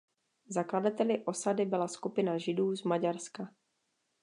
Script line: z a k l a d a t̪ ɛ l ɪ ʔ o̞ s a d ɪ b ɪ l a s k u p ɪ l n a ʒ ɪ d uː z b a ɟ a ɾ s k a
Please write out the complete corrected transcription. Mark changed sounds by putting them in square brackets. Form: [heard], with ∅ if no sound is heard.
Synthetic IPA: z a k l a d a t̪ ɛ l ɪ ʔ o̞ s a d ɪ b ɪ l a s k u p ɪ [∅] n a ʒ ɪ d uː z [m] a ɟ a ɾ s k a

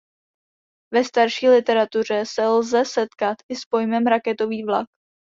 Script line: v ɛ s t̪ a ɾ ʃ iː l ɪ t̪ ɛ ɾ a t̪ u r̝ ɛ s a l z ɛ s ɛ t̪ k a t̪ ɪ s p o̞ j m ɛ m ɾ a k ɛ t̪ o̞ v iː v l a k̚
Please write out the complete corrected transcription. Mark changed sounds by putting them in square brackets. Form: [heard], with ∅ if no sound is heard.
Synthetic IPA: v ɛ s t̪ a ɾ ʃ iː l ɪ t̪ ɛ ɾ a t̪ u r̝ ɛ s [ɛ] l z ɛ s ɛ t̪ k a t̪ ɪ s p o̞ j m ɛ m ɾ a k ɛ t̪ o̞ v iː v l a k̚

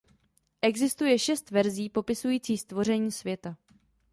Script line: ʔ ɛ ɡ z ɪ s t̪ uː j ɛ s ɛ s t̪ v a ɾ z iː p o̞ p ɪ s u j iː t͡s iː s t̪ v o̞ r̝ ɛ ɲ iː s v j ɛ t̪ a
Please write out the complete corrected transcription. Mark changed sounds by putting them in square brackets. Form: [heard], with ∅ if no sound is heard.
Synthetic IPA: ʔ ɛ ɡ z ɪ s t̪ [u] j ɛ [ʃ] ɛ s t̪ v [ɛ] ɾ z iː p o̞ p ɪ s u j iː t͡s iː s t̪ v o̞ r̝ ɛ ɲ iː s v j ɛ t̪ a

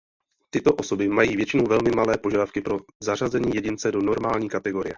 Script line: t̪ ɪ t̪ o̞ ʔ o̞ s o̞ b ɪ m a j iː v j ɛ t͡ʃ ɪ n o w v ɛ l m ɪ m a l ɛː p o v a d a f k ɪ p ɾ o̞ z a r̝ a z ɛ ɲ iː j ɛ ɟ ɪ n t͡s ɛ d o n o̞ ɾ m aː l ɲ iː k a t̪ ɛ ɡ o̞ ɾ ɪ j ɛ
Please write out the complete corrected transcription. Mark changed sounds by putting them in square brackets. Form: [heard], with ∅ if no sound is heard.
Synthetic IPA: t̪ ɪ t̪ o̞ ʔ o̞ s o̞ b ɪ m a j iː v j ɛ t͡ʃ ɪ n o w v ɛ l m ɪ m a l ɛː p o [ʒ] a d a f k ɪ p ɾ o̞ z a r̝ a z ɛ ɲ iː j ɛ ɟ ɪ n t͡s ɛ d o n o̞ ɾ m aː l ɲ iː k a t̪ ɛ ɡ o̞ ɾ ɪ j ɛ

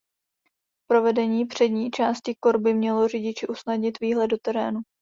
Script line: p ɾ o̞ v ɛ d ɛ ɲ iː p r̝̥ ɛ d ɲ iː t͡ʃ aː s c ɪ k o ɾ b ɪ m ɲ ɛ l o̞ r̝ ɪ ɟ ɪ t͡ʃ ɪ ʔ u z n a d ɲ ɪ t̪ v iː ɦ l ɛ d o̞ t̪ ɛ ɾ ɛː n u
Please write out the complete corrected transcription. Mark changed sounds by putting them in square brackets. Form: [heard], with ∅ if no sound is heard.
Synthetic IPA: p ɾ o̞ v ɛ d ɛ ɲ iː p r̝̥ ɛ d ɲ iː t͡ʃ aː s c ɪ k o ɾ b ɪ m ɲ ɛ l o̞ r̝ ɪ ɟ ɪ t͡ʃ ɪ ʔ u [s] n a d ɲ ɪ t̪ v iː ɦ l ɛ d o̞ t̪ ɛ ɾ ɛː n u

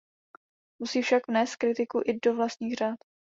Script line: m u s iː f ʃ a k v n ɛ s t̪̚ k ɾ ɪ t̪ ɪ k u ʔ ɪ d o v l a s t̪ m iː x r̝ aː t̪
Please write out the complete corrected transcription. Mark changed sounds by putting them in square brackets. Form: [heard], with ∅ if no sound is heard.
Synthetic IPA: m u s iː f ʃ a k v n [ɛː] s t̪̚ k ɾ ɪ t̪ ɪ k u ʔ ɪ d o v l a s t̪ [ɲ] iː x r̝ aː t̪

